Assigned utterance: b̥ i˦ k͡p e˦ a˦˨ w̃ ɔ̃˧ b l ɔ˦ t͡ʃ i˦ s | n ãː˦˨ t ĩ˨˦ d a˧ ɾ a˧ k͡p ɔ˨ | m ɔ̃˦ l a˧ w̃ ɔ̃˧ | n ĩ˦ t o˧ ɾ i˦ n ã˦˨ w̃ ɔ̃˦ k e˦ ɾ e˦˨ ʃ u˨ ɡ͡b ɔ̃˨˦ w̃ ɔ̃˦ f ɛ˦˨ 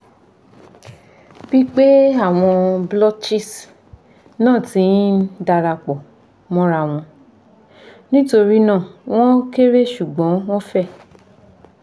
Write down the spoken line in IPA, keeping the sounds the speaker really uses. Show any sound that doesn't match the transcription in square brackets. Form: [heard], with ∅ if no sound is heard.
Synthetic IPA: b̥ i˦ k͡p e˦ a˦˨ w̃ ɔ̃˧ b l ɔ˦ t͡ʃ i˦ s | n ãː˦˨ t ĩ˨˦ d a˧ ɾ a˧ k͡p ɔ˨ | m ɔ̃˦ [ɾ] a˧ w̃ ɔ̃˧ | n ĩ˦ t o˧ ɾ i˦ n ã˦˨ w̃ ɔ̃˦ k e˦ ɾ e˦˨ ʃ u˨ ɡ͡b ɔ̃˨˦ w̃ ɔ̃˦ f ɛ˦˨